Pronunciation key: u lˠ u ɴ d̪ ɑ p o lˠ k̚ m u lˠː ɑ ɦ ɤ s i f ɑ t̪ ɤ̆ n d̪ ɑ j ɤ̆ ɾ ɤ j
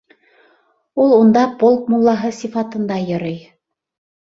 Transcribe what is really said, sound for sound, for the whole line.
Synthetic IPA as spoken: u lˠ u n d̪ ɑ p o lˠ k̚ m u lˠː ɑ ɦ ɤ s i f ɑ t̪ ɤ̆ n d̪ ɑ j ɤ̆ ɾ ɤ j